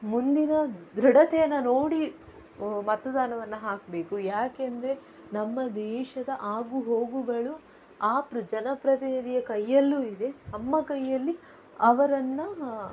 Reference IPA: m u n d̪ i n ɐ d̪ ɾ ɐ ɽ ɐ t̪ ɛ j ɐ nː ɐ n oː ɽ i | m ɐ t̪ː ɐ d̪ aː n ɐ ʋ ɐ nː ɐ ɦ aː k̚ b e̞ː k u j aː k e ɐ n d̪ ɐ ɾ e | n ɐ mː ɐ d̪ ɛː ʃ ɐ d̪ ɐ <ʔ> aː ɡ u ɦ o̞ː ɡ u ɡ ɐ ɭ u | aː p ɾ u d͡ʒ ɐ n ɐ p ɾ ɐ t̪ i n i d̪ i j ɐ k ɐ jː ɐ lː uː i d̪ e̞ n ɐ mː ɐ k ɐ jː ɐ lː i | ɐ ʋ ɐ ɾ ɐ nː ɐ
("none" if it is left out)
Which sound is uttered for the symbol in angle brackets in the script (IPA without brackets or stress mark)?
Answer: ʔ